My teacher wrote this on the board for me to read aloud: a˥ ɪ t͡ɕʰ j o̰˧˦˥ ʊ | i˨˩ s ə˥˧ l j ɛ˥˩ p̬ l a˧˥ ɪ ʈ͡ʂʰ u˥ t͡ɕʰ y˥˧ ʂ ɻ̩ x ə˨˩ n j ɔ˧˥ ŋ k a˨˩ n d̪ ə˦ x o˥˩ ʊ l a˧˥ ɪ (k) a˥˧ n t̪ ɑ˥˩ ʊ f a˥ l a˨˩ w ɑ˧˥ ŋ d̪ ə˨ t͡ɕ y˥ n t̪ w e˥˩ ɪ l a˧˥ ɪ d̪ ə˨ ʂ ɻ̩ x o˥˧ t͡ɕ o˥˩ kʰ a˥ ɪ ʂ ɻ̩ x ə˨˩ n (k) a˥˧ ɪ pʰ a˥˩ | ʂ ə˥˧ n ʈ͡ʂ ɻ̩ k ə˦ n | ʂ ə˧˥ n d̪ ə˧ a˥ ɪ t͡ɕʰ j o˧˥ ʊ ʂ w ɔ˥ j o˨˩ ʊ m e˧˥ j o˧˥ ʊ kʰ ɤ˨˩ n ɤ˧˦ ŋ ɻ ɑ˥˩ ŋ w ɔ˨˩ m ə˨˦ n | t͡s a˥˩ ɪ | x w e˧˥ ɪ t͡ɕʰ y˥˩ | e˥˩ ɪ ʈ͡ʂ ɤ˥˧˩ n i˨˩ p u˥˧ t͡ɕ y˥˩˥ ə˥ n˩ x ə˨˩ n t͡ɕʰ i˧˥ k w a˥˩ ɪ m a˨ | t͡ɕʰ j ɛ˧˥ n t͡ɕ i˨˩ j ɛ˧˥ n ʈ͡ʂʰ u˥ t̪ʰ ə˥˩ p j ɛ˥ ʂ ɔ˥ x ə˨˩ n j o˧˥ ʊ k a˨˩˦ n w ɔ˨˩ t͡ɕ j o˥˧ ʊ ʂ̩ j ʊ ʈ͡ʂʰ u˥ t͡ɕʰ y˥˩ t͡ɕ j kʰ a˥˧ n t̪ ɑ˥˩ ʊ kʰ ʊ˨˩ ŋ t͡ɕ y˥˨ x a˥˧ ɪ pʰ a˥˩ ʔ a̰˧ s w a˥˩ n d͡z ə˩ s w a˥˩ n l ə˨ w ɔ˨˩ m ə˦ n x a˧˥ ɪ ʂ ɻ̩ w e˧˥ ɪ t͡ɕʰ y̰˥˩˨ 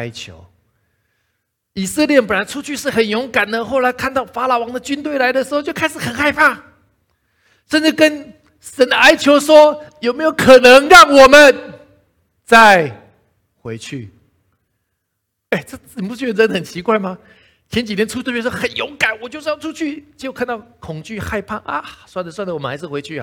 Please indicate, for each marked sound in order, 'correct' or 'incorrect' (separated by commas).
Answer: incorrect, incorrect